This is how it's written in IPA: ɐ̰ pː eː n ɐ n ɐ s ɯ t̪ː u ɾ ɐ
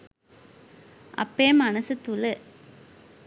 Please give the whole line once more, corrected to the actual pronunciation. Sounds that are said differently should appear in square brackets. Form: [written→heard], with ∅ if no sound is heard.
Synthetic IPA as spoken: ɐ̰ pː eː [n→m] ɐ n ɐ s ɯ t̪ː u [ɾ→l] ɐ

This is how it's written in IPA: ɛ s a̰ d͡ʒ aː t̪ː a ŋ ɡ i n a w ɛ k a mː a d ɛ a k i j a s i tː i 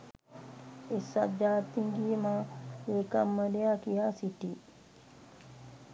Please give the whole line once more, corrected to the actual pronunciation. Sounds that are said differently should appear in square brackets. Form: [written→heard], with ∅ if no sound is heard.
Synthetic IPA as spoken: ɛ s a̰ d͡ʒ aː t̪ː [a→i] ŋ ɡ i [n→m] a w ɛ k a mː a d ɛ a k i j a s i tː i

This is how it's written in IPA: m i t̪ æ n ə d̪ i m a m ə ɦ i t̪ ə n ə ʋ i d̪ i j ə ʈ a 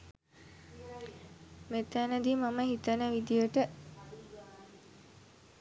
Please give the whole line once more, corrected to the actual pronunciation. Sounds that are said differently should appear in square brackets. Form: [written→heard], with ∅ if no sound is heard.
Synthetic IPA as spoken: m [i→e] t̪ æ n ə d̪ i m a m ə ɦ i t̪ ə n ə ʋ i d̪ i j ə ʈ [a→ə]

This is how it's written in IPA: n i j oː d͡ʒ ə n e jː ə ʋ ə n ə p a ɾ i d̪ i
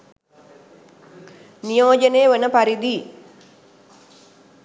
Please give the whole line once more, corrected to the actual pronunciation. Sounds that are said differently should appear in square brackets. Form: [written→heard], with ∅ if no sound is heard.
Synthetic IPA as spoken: n i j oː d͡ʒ ə n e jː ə ʋ ə n ə p a ɾ i d̪ i

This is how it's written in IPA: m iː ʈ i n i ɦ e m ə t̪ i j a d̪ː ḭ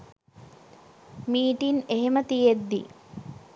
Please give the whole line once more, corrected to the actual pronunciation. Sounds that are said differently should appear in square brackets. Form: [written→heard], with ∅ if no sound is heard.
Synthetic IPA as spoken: m iː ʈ i n [i→e] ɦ e m ə t̪ i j [a→e] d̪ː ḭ

